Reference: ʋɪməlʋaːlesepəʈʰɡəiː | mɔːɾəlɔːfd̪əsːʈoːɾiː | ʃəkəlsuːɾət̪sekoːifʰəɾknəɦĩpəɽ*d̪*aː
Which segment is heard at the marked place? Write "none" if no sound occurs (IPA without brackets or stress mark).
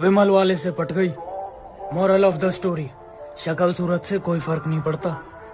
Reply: t̪